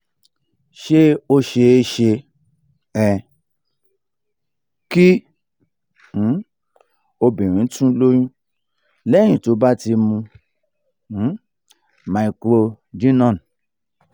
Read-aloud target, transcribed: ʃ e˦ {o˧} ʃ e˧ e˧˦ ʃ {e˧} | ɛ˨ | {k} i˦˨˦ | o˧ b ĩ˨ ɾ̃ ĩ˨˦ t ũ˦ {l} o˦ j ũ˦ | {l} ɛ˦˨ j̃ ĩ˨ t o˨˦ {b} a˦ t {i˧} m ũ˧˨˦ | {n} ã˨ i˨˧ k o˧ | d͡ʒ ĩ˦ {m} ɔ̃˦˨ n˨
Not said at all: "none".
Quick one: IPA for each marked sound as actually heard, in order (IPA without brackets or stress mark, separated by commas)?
o˧, e˧, k, l, l, b, i˧, m, n